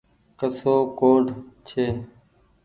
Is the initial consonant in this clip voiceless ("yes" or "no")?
yes